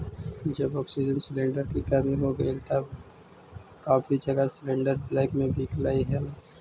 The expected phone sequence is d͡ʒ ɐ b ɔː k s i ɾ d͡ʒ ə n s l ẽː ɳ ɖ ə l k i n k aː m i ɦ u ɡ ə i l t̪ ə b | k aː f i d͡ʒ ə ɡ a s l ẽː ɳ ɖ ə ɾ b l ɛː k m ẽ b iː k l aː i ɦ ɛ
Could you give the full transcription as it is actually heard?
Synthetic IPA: d͡ʒ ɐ b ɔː k s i d͡ʒ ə n s l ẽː ɳ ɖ ə ɾ k i k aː m i ɦ o ɡ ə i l t̪ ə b | k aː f i d͡ʒ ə ɡ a s l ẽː ɳ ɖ ə ɾ b l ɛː k m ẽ b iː k l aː i ɦ ɛ